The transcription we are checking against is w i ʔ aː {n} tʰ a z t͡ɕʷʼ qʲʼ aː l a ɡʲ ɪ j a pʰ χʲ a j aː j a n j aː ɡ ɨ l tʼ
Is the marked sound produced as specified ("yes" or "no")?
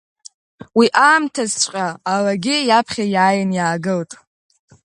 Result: no